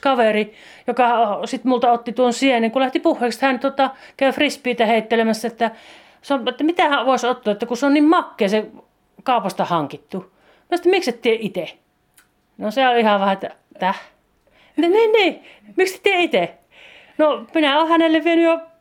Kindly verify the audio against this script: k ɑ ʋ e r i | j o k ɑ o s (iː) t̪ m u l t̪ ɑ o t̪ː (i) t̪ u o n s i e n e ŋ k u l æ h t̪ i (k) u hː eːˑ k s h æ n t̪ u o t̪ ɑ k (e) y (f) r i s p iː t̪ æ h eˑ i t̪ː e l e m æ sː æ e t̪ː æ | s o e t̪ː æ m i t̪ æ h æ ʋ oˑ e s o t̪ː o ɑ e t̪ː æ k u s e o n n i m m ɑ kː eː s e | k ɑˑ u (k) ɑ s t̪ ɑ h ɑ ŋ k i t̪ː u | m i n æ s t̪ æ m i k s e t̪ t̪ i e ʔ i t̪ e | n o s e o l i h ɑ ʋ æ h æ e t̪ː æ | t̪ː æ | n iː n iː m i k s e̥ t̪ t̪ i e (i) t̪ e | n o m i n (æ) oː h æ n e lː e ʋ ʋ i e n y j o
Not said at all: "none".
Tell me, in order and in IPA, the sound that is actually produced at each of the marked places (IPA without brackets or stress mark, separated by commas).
i, i, p, æ, f, p, i, æ